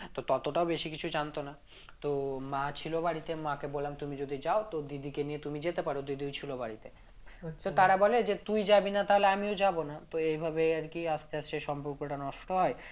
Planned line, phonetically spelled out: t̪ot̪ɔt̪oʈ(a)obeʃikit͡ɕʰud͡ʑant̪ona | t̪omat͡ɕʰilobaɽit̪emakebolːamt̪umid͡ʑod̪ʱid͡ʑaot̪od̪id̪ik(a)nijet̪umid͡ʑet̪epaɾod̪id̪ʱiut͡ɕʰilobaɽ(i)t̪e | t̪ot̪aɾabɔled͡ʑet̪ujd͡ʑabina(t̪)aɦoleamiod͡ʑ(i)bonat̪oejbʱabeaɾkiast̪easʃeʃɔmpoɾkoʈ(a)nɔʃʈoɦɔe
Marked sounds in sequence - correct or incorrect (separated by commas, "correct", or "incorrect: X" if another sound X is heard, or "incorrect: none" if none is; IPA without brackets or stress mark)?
correct, incorrect: e, correct, correct, incorrect: a, correct